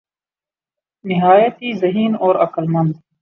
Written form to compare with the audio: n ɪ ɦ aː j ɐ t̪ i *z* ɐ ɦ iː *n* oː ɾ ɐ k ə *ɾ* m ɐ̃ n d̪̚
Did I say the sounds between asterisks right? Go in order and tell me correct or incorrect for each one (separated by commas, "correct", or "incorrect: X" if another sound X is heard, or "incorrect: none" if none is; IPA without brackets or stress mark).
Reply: correct, correct, incorrect: l